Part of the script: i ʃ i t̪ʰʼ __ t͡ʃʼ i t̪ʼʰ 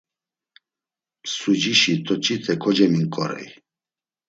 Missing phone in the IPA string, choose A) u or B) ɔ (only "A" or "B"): B